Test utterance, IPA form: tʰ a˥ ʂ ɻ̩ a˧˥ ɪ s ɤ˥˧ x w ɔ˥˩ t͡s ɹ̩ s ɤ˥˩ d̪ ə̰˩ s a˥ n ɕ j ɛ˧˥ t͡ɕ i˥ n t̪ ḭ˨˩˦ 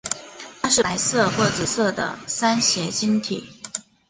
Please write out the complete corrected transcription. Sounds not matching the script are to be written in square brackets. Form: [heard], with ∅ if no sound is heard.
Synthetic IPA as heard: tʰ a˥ ʂ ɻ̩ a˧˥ ɪ s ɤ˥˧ x w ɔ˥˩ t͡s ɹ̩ s ɤ˥˩ d̪ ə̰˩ s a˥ n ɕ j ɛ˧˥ t͡ɕ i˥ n [t̪ʰ] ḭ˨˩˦